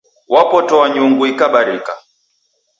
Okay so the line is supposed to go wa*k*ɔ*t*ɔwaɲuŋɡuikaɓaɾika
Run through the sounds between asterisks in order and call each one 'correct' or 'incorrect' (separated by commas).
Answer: incorrect, correct